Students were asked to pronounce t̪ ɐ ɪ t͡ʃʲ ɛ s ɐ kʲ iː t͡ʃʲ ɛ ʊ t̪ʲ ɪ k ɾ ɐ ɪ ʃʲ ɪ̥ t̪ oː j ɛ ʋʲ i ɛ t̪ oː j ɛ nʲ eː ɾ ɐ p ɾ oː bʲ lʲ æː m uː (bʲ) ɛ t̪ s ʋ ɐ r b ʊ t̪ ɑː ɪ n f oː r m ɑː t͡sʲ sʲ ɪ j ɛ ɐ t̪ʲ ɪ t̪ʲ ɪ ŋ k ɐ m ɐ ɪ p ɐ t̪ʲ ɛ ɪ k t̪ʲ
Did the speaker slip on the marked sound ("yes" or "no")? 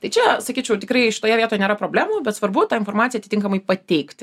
no